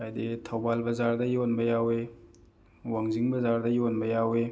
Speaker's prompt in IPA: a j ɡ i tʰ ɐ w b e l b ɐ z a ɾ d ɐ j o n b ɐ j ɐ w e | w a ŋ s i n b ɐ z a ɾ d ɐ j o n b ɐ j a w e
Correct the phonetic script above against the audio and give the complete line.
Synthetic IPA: a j d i tʰ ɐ w b a l b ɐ z a ɾ d ɐ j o n b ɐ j a w e | w a ŋ z i ŋ b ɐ z a ɾ d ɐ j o n b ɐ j a w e